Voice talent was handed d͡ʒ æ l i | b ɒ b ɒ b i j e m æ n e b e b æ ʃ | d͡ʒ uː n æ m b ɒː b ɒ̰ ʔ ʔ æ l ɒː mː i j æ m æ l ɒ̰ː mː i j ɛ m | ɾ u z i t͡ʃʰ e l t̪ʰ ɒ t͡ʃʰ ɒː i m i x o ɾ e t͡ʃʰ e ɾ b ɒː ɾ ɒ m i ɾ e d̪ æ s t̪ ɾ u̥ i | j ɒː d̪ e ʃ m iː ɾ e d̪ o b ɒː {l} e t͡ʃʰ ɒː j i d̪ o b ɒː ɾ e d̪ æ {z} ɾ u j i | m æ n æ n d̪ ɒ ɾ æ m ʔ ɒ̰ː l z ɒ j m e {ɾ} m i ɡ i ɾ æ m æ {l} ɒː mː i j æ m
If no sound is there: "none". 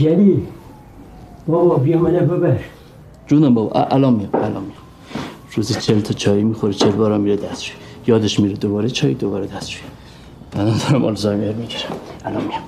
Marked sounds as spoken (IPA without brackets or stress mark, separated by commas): ɾ, s, ɾ, l